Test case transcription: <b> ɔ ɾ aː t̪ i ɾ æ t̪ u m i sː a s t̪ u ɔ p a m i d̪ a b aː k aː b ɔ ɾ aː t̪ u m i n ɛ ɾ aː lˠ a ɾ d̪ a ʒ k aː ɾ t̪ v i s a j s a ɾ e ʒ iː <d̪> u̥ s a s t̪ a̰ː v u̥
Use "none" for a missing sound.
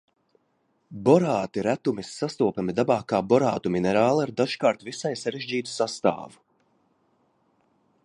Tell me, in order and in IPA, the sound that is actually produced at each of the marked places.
b, t̪

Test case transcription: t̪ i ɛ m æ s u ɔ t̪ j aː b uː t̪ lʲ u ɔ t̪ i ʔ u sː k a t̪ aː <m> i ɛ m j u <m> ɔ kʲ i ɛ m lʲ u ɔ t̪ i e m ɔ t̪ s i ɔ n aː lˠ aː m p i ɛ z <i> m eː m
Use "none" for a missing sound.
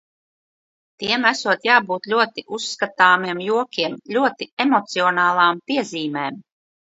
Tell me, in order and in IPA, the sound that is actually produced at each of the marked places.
m, none, iː

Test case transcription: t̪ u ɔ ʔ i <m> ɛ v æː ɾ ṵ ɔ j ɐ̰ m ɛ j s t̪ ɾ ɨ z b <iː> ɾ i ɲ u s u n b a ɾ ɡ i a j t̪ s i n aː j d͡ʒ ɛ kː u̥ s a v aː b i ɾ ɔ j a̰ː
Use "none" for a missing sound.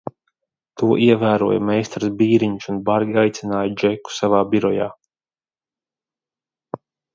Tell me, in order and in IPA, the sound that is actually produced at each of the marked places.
none, iː

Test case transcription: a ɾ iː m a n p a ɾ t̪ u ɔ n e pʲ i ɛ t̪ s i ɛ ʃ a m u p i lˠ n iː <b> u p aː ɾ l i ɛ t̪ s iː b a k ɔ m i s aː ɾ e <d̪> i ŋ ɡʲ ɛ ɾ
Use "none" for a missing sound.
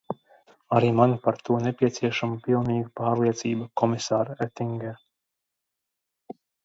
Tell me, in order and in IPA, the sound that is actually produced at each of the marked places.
ɡ, t̪

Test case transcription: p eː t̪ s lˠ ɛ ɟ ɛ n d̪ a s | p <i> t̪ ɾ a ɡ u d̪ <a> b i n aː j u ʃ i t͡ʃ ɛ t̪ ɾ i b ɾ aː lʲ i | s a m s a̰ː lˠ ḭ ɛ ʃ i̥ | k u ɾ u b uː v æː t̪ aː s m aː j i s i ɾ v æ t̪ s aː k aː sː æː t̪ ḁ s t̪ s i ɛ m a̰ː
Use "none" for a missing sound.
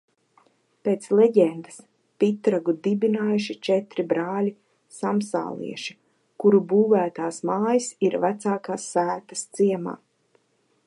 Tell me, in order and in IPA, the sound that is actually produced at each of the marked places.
i, i

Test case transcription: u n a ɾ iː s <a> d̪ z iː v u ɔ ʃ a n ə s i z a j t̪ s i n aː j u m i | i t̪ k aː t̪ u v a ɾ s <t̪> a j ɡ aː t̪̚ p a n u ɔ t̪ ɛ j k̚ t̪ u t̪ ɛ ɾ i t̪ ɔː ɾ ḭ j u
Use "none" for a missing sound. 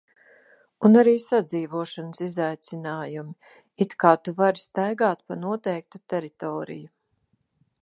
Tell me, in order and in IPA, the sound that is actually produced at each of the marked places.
a, t̪

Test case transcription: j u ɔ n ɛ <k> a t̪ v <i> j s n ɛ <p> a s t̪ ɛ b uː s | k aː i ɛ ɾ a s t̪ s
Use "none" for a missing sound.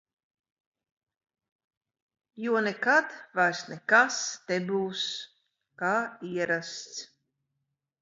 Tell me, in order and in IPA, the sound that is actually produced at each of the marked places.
k, a, k

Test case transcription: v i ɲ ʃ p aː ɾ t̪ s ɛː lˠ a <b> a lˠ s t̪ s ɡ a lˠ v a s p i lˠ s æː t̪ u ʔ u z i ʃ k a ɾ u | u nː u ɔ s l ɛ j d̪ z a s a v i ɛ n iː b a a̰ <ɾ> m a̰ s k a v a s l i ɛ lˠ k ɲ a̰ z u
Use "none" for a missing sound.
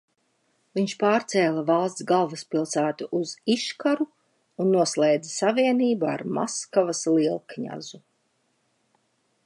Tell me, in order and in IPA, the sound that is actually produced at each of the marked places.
v, ɾ

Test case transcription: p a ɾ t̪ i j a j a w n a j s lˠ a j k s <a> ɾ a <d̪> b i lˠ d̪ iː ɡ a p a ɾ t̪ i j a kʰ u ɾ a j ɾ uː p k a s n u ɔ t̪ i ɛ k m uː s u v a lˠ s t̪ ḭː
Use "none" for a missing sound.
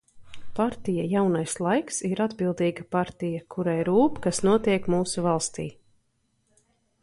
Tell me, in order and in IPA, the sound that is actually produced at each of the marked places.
i, d̪

